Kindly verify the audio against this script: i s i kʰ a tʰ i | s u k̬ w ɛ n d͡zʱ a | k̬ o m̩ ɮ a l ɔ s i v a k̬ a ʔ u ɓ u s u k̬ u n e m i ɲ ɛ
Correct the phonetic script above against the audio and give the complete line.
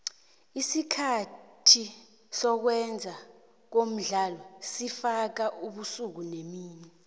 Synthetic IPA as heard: i s i kʰ a tʰ i | s ɔ k̬ w ɛ n d͡zʱ a | k̬ o m̩ ɮ a l ɔ s i f a k̬ a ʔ u ɓ u s u k̬ u n e m iː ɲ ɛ